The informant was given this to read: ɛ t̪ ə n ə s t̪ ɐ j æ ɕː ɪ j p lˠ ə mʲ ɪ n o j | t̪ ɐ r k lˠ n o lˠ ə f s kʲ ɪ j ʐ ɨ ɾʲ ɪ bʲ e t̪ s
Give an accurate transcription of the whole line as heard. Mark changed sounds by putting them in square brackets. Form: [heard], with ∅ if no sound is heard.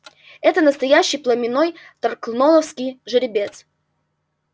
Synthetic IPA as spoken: ɛ t̪ ə n ə s t̪ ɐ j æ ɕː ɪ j p lˠ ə mʲ ɪ n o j | t̪ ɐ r k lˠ n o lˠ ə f s kʲ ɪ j ʐ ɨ ɾʲ ɪ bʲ e t̪ s